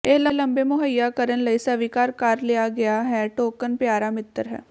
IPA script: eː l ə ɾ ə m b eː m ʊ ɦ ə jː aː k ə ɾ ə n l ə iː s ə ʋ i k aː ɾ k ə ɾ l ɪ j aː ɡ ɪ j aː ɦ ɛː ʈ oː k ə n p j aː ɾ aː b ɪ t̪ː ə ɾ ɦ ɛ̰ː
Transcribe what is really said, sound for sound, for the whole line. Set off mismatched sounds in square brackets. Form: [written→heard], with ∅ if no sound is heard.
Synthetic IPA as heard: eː l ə [ɾ→l] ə m b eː m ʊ ɦ ə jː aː k ə ɾ ə n l ə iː s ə ʋ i k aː ɾ k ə ɾ l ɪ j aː ɡ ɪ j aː ɦ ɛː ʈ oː k ə n p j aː ɾ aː [b→m] ɪ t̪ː ə ɾ ɦ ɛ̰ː